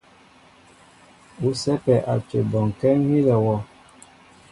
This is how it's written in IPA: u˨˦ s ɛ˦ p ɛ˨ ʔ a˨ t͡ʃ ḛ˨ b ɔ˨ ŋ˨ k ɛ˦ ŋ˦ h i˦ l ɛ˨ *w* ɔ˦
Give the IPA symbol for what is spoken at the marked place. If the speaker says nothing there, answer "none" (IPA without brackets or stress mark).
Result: w